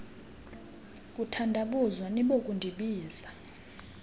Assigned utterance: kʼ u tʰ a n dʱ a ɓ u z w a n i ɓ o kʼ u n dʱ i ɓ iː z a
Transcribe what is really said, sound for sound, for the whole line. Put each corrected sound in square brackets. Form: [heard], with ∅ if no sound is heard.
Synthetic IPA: kʼ u tʰ a n dʱ a ɓ u z w a n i ɓ o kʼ u n dʱ i ɓ iː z a

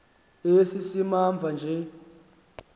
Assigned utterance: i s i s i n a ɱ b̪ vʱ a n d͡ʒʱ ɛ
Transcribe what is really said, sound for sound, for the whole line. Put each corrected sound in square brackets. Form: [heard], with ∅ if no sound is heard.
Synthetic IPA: [e] s i s i [m] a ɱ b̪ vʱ a n d͡ʒʱ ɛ

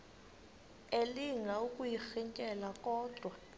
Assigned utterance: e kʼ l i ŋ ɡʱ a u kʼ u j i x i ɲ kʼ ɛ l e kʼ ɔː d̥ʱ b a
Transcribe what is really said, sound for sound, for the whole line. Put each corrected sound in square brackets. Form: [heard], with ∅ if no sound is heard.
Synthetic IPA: e [∅] l i ŋ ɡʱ a u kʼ u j i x i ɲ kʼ ɛ l [a] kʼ ɔː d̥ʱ [w] a

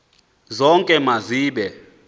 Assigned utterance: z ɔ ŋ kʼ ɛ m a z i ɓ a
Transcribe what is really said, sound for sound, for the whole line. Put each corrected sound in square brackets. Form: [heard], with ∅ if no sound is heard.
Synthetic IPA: z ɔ ŋ kʼ ɛ m a z [iː] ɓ [ɛ]

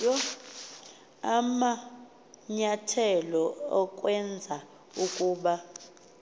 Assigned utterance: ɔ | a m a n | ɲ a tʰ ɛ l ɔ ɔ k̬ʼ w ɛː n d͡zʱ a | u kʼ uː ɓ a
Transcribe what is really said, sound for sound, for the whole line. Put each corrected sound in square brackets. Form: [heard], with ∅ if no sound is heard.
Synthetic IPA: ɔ | a m a [∅] | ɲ a tʰ ɛ l ɔ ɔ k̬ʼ w [ɛ] n d͡zʱ a | u kʼ uː ɓ a

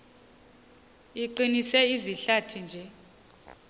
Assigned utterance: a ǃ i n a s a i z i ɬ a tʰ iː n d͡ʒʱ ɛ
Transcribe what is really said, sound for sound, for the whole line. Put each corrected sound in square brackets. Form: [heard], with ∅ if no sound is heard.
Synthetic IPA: [i] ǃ i n [i] s [ɛ] i z i ɬ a tʰ [i] n d͡ʒʱ ɛ

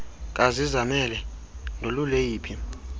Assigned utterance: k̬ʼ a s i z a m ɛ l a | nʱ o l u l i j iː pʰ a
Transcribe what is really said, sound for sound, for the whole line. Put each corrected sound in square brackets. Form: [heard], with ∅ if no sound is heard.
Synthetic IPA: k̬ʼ a [z] i z a m ɛ l [ɛ] | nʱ o l u l [e] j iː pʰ [i]

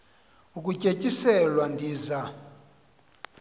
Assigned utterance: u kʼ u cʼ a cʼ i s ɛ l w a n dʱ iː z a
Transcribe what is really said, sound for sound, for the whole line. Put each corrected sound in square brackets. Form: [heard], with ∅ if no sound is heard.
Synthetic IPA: u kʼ u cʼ [e] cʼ i s ɛ l w a n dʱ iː z a

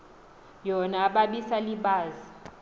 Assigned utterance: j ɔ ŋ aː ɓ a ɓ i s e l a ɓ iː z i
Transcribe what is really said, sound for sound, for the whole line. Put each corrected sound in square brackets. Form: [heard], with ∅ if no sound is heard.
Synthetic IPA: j ɔ [n] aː ɓ a ɓ i s [a] l [i] ɓ [aː] z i

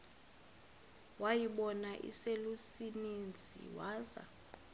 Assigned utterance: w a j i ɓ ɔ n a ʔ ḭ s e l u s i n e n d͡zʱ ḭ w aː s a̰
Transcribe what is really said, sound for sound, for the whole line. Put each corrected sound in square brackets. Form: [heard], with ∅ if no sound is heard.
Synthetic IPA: w a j i ɓ ɔ n a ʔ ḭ s e l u s i n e n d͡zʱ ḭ w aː [z] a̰

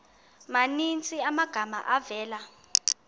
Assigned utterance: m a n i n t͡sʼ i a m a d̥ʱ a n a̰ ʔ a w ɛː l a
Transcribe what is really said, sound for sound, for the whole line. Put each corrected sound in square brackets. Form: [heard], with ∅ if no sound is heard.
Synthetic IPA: m a n i n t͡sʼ i a m a [ɡ̥ʱ] a [m] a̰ ʔ a [v] ɛː l a

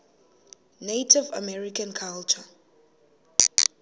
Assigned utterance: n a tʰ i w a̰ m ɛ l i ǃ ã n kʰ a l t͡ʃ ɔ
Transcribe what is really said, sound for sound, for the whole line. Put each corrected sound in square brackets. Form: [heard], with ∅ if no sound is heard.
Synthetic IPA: n [e] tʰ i [v] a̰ m ɛ [ɹ] i [k] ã n kʰ a l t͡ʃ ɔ

